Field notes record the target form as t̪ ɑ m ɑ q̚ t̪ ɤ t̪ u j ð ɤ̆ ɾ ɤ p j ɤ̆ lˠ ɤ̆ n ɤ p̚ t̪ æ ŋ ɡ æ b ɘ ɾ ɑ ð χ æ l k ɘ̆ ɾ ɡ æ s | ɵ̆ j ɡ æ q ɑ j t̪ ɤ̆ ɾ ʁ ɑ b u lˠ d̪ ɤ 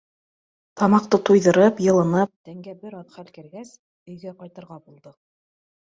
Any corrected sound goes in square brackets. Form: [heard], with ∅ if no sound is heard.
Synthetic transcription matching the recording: t̪ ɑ m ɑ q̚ t̪ ɤ t̪ u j ð ɤ̆ ɾ ɤ p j ɤ̆ lˠ ɤ̆ n ɤ p̚ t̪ æ ŋ ɡ æ b ɘ ɾ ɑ ð χ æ l k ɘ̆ ɾ ɡ æ s | ɵ̆ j ɡ æ q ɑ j t̪ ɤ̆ ɾ ʁ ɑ b u lˠ d̪ ɤ